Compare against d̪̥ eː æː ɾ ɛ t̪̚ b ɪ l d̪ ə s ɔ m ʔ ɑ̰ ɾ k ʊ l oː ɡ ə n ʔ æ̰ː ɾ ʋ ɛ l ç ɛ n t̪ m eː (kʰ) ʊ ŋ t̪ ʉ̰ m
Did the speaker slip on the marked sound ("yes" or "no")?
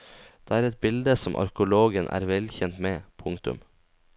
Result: yes